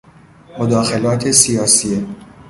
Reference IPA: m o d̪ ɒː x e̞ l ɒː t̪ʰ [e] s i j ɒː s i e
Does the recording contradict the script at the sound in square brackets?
no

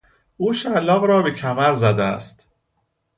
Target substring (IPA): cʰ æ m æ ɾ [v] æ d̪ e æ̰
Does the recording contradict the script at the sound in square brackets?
yes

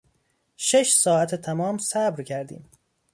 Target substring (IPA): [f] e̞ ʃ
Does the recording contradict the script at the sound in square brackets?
yes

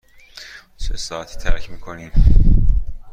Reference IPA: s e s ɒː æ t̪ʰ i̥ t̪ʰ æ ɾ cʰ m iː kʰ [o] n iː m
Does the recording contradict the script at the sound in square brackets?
no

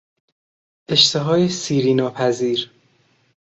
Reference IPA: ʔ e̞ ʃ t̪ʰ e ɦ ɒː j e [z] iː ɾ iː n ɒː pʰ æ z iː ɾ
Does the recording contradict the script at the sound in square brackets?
yes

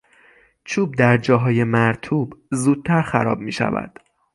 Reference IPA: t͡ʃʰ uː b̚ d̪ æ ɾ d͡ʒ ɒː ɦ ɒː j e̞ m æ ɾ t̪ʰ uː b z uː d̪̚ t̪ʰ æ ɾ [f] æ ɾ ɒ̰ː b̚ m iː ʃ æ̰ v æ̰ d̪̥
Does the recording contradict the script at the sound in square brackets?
yes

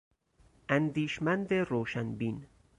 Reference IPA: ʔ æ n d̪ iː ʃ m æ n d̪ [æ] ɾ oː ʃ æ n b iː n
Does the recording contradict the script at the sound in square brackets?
yes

